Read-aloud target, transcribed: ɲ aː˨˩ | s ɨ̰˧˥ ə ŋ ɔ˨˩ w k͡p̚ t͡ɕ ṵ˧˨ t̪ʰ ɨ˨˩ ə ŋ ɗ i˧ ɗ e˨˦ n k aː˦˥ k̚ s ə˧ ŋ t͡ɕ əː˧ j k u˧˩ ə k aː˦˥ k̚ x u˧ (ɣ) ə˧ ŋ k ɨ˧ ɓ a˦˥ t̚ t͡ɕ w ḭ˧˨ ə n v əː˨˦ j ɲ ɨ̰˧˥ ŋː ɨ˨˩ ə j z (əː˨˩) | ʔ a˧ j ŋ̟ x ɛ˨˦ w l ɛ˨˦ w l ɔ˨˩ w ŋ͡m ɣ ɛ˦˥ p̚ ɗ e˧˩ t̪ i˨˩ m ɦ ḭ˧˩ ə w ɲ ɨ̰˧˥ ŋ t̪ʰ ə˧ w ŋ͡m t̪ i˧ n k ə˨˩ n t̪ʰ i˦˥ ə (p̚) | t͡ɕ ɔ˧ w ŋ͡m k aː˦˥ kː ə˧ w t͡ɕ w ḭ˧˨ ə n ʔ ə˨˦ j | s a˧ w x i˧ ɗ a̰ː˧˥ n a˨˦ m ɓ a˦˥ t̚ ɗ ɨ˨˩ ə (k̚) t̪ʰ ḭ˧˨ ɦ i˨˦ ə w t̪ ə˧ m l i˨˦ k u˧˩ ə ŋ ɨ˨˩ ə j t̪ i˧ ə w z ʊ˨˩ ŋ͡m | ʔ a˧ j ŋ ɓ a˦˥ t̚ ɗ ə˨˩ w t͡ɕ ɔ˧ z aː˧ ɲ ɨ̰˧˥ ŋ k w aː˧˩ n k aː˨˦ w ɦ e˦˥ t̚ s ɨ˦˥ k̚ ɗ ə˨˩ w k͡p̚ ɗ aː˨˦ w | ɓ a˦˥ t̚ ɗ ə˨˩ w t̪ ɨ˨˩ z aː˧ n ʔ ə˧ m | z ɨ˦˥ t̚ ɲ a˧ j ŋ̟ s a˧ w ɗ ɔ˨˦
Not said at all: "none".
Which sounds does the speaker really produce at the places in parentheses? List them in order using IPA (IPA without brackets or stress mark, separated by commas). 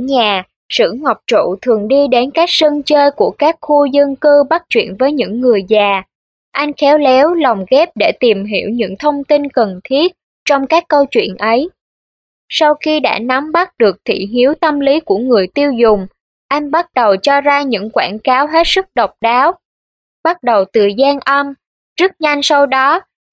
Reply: z, aː˨˩, t̚, k̚